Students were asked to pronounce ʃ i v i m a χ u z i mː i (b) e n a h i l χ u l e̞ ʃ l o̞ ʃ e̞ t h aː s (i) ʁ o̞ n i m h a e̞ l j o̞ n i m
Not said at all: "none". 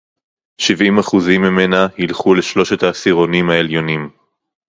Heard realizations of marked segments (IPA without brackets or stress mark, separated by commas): m, i